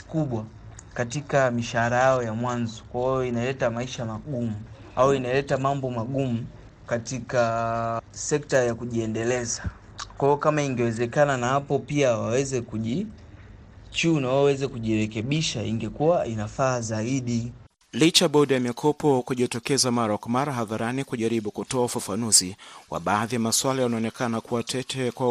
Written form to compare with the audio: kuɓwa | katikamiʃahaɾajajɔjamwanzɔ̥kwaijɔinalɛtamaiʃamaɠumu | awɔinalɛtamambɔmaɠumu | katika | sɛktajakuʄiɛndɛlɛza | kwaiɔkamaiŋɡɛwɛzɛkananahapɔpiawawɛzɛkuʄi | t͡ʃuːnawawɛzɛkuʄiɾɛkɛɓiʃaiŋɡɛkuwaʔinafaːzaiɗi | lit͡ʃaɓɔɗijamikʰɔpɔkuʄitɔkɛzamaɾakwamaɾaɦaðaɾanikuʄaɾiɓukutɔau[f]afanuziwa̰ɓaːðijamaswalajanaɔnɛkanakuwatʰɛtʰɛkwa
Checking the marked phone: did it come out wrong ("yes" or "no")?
no